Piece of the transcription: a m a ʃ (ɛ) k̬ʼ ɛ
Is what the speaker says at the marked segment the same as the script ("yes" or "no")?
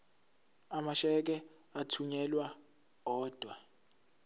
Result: yes